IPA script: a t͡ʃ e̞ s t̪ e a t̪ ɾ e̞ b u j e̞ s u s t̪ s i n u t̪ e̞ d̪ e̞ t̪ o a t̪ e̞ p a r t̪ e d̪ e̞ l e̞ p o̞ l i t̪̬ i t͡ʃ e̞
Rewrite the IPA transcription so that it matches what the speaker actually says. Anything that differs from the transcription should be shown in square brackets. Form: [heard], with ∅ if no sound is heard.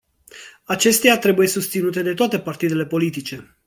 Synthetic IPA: a t͡ʃ e̞ s t̪ e a t̪ ɾ e̞ b u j e̞ s u s t̪ s i n u t̪ e̞ d̪ e̞ t̪ o a t̪ e̞ p a r t̪ [i] d̪ e̞ l e̞ p o̞ l i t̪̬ i t͡ʃ e̞